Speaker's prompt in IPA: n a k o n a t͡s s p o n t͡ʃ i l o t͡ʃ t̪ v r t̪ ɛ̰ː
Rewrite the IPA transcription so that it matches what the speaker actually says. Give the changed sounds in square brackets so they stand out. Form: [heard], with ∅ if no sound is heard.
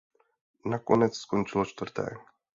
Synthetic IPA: n a k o n [ɛ] t͡s s [k] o n t͡ʃ [ɪ] l o t͡ʃ t̪ v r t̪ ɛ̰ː